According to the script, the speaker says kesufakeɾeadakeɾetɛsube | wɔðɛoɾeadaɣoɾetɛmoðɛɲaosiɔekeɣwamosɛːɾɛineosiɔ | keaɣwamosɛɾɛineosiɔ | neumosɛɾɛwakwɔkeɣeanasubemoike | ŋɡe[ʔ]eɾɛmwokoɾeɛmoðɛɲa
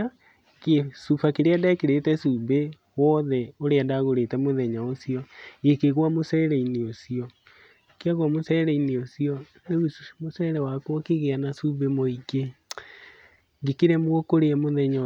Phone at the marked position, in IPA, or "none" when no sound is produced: k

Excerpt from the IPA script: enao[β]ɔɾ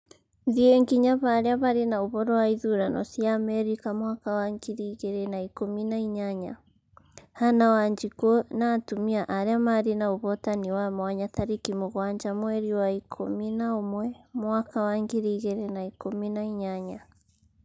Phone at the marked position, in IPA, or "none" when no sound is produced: β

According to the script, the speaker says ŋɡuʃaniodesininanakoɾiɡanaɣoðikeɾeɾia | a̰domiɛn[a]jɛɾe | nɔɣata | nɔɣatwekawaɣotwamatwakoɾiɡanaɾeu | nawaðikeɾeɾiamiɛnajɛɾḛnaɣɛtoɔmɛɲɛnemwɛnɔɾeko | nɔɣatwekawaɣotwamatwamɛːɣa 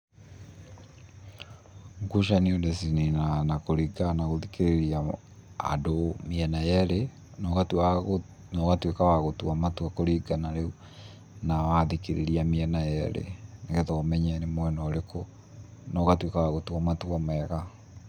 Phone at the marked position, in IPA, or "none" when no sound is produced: a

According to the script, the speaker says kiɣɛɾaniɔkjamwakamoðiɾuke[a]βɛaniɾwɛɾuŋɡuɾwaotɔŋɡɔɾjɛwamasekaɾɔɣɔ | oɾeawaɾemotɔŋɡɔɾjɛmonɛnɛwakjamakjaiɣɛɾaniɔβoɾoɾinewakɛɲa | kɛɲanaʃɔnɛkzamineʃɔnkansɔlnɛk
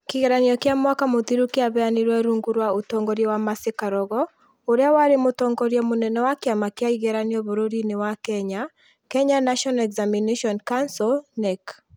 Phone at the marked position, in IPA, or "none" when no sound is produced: a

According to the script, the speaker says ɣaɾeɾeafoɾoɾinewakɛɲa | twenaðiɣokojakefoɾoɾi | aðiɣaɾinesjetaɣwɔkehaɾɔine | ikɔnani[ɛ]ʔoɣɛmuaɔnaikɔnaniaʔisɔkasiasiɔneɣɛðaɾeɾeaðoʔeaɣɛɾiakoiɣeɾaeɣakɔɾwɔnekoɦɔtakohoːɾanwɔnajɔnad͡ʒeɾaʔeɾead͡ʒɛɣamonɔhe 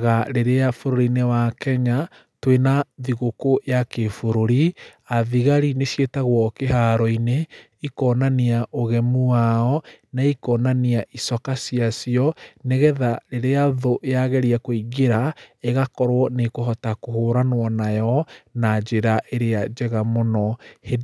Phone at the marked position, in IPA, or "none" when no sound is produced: a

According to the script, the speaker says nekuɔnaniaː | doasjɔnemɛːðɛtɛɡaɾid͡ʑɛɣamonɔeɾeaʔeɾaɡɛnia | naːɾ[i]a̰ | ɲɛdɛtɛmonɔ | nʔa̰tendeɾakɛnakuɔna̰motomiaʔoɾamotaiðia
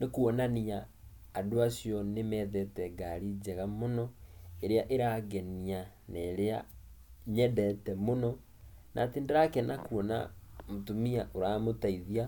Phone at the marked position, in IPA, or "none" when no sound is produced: e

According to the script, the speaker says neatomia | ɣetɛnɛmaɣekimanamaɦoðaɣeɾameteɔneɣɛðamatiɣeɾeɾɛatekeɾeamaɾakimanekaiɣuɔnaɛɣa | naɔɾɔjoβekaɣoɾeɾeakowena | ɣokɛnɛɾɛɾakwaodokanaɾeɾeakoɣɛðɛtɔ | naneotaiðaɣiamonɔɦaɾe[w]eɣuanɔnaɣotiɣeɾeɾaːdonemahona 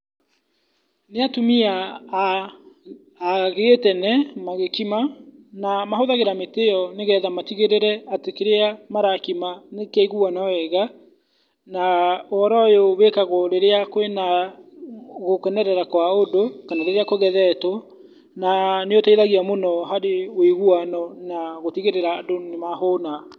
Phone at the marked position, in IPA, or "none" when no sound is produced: w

